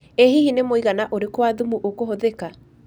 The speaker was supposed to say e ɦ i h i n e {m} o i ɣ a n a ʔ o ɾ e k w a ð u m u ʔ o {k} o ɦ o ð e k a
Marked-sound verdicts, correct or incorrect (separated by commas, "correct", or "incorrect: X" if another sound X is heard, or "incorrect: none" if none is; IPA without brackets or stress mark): correct, correct